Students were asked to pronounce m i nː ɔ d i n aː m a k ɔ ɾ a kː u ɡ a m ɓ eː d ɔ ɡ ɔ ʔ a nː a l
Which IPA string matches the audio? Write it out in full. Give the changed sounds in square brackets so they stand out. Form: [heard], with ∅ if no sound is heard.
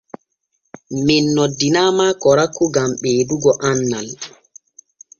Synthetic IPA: m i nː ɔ d i n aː m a k ɔ ɾ a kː u ɡ a m ɓ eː d [u] ɡ ɔ ʔ a nː a l